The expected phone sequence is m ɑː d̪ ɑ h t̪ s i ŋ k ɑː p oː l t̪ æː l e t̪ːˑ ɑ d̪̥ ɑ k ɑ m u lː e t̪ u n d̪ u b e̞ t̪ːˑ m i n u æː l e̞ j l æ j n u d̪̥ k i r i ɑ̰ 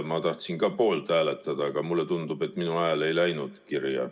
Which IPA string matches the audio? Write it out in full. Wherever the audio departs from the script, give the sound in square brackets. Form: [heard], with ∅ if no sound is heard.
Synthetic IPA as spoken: m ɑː [t̪] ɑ h t̪ s i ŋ k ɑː p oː l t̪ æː l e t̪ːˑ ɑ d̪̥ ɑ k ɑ m u lː e t̪ u n d̪ u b e̞ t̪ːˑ m i n u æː l e̞ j l æ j n u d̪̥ k i r [j] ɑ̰